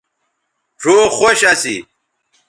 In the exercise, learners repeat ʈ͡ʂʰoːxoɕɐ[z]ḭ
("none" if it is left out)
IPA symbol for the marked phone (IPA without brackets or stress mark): s